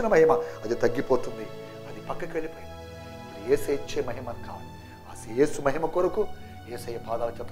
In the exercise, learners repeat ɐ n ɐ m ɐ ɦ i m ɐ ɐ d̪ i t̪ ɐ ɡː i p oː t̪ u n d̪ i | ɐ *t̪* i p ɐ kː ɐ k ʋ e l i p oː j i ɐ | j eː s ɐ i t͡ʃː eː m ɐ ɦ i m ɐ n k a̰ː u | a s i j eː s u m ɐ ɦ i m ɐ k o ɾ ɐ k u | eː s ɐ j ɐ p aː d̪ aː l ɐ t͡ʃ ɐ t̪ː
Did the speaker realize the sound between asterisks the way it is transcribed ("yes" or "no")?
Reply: no